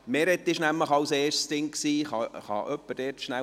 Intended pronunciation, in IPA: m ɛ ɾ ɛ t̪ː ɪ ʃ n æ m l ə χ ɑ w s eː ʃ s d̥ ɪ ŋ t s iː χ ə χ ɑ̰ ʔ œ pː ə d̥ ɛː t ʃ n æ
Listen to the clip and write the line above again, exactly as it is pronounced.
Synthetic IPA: m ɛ ɾ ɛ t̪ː ɪ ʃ n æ m l ə χ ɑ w s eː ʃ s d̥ ɪ ŋ k s iː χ ɑ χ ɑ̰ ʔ œ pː ə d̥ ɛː t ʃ n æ

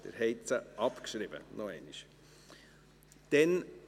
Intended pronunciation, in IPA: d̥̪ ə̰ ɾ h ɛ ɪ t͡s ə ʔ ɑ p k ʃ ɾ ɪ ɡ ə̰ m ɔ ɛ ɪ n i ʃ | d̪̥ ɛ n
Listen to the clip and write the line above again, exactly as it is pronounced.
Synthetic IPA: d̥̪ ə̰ ɾ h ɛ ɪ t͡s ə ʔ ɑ p k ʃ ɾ ɪ b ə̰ n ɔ ɛ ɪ n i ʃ | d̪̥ ɛ n

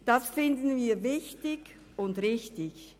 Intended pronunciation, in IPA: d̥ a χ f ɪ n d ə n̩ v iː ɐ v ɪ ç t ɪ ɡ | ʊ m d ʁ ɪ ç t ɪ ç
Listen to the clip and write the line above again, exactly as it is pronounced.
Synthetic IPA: d̥ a s f ɪ n d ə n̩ v iː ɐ v ɪ ç t ɪ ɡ | ʊ n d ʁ ɪ ç t ɪ ç

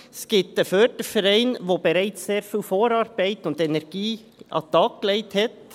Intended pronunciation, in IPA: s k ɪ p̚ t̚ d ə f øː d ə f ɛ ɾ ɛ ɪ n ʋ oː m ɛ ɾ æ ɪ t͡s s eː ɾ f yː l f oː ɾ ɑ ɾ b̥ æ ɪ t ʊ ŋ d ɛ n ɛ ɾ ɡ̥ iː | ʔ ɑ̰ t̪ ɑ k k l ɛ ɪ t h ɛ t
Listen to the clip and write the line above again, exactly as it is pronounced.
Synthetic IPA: s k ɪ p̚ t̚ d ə f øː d ə f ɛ ɾ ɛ ɪ n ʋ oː b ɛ ɾ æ ɪ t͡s s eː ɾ f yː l f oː ɾ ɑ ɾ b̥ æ ɪ t ʊ n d ɛ n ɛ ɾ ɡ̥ iː | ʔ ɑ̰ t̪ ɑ k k l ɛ ɪ t h ɛ t

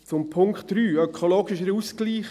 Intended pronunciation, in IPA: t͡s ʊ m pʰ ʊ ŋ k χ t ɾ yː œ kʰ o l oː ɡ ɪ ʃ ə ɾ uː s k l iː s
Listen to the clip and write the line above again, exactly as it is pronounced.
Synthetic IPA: t͡s ʊ m pʰ ʊ ŋ k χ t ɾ yː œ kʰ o l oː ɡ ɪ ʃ ə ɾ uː s k l iː χ

